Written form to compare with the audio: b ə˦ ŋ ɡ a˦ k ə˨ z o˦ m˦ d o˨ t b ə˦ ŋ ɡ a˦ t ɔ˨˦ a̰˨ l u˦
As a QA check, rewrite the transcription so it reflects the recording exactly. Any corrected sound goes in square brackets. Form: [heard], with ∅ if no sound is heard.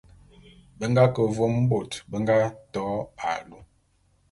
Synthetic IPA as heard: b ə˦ ŋ ɡ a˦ k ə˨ [v] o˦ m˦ [b] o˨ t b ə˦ ŋ ɡ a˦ t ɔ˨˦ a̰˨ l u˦